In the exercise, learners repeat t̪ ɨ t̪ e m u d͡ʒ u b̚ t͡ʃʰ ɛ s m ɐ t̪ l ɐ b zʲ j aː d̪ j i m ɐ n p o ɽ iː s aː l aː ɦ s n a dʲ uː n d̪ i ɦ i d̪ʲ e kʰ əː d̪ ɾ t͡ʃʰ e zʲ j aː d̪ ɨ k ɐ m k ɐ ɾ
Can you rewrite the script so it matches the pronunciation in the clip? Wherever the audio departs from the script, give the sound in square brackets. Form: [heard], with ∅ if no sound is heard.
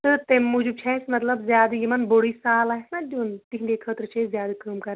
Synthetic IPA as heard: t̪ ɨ t̪ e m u d͡ʒ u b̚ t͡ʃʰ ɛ s m ɐ t̪ l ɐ b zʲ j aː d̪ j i m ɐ n [b] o ɽ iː s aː l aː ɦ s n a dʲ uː n [t̪] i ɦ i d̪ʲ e kʰ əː [t̪] ɾ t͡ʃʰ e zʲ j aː d̪ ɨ k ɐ m k ɐ ɾ

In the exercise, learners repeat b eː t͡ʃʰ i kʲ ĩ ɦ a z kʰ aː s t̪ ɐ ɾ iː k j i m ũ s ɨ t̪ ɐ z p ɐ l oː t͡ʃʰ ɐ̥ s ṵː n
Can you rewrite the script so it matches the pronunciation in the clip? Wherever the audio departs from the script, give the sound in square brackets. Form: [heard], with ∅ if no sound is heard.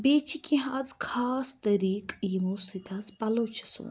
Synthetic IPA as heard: b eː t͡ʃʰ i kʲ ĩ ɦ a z kʰ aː s t̪ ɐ ɾ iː k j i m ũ s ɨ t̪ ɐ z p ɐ l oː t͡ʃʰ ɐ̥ s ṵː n

